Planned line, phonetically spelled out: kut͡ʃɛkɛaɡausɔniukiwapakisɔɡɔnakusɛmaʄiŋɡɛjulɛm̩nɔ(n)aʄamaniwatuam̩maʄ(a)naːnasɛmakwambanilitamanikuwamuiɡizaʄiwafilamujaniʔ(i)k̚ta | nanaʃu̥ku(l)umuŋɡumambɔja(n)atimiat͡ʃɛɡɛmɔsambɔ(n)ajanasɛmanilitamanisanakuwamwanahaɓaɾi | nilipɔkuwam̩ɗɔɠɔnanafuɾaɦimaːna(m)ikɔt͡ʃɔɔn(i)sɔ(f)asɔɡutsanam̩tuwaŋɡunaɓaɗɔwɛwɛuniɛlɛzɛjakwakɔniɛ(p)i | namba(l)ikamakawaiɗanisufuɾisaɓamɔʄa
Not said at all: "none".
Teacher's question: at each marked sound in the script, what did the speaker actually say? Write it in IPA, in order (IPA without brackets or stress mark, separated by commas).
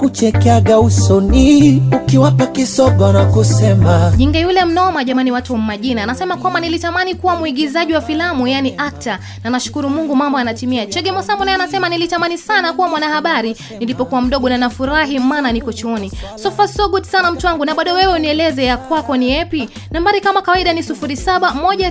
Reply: m, i, a, ɾ, n, n, n, i, f, p, ɾ